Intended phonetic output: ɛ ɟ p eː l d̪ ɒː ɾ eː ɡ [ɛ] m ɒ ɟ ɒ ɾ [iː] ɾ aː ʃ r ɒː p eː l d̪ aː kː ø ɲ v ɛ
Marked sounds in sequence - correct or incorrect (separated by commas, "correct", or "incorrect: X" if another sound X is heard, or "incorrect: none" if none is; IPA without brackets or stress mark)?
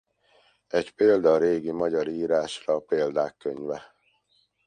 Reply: incorrect: i, correct